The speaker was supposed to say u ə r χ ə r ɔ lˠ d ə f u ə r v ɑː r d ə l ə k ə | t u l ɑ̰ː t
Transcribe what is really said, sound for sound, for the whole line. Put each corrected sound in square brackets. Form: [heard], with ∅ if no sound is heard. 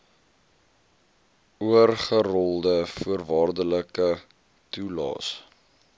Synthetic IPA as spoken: u ə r χ ə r ɔ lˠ d ə f u ə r v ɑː r d ə l ə k ə | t u l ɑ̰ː [s]